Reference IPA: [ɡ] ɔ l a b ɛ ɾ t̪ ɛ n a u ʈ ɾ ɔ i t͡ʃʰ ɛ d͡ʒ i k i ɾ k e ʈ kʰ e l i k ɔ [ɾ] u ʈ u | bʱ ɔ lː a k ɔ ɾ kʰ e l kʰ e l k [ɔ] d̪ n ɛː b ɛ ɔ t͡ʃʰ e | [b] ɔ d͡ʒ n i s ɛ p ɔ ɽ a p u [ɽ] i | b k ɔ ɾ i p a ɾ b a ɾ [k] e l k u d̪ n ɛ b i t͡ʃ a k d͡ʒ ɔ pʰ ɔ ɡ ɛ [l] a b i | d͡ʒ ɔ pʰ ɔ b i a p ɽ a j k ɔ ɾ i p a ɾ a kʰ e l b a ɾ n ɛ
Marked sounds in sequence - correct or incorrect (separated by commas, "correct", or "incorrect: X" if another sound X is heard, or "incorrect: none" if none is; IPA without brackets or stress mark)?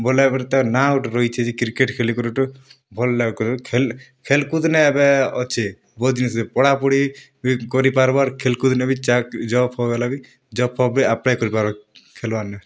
incorrect: b, correct, incorrect: u, correct, correct, incorrect: kʰ, correct